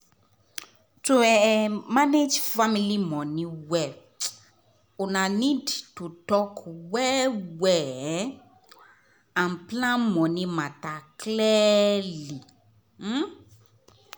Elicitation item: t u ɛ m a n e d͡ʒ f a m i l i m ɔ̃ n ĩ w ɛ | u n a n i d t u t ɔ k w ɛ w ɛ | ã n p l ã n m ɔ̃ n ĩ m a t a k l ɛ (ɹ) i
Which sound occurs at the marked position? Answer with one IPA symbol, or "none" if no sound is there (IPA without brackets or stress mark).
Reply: l